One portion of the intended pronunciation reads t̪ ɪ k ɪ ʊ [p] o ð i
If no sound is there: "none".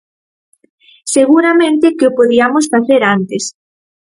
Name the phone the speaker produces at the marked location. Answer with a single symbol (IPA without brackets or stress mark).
p